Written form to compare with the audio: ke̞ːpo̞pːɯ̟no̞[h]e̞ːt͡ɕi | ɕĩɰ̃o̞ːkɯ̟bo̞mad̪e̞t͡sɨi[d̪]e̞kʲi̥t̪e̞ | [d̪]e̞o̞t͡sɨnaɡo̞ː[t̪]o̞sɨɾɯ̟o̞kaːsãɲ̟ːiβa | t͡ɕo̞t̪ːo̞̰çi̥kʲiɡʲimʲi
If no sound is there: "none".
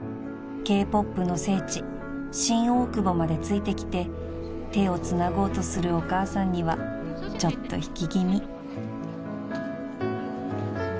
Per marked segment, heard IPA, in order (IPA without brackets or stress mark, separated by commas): s, t̪, t̪, t̪